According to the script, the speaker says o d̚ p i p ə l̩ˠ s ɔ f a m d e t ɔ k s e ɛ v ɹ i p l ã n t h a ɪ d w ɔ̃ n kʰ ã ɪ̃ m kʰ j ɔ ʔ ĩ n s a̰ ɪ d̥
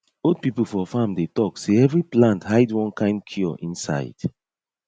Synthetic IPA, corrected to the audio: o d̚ p i p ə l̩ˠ f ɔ f a m d e t ɔ k s e ɛ v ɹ i p l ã n t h a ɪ d w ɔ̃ n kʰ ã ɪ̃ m kʰ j ɔ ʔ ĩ n s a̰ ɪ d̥